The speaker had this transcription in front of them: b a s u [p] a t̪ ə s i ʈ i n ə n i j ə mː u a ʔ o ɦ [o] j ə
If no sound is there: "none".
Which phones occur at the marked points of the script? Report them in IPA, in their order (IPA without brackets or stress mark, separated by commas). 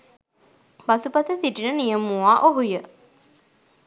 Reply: p, u